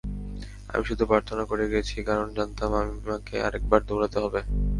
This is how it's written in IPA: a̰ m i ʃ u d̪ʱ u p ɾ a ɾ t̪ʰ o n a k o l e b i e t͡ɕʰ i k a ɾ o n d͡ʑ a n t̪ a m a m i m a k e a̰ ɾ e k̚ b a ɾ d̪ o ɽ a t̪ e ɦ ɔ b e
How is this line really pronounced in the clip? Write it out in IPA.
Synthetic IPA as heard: a̰ m i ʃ u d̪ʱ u p ɾ a ɾ t̪ʰ o n a k o ɾ e ɡ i e t͡ɕʰ i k a ɾ o n d͡ʑ a n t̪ a m a m i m a k e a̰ ɾ e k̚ b a ɾ d̪ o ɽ a t̪ e ɦ ɔ b e